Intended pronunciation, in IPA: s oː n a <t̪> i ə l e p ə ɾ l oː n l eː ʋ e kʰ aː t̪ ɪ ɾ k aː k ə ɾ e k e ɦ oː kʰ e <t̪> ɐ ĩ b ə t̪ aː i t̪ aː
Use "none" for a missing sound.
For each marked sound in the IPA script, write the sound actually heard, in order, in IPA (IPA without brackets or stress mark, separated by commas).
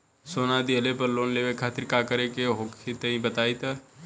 d̪, t̪